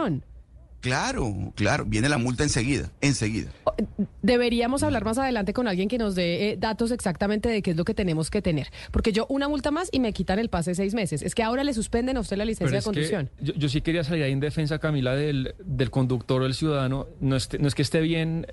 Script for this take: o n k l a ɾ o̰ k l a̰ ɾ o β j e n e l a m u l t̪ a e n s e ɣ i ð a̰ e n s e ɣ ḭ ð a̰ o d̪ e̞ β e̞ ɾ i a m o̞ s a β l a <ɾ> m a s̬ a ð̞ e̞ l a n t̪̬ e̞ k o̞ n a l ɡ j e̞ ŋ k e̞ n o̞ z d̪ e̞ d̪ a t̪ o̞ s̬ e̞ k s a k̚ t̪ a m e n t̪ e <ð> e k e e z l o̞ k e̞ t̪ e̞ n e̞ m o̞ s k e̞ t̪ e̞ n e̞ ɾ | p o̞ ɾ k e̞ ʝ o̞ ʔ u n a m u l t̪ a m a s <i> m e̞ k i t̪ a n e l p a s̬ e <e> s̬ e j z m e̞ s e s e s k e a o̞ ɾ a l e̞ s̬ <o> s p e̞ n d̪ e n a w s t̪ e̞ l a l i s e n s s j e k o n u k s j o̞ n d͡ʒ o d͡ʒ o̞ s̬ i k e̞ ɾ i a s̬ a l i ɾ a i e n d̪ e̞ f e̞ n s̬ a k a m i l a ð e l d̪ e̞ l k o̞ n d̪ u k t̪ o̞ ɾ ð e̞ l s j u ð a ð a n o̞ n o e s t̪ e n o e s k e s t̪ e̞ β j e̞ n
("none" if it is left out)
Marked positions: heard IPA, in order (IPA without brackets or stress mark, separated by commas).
ɾ, ð, i, e, u